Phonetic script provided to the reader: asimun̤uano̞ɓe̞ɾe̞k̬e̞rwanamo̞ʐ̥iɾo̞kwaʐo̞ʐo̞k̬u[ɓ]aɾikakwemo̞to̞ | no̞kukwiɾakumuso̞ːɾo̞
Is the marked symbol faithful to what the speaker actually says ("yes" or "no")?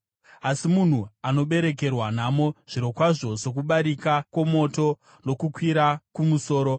yes